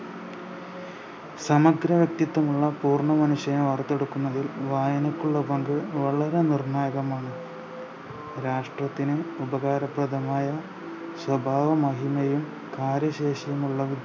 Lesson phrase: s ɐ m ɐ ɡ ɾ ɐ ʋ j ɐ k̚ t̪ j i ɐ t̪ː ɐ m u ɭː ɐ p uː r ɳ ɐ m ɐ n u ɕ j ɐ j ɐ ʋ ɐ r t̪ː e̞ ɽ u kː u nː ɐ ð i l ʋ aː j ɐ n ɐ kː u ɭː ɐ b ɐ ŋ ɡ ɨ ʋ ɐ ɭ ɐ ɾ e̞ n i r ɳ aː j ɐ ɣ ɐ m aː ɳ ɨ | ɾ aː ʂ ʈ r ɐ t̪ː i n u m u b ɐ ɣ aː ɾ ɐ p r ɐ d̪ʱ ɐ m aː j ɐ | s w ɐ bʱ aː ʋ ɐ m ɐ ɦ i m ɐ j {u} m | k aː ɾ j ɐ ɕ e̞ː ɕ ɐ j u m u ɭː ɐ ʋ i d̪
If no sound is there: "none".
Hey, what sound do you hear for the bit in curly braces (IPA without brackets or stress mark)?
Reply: u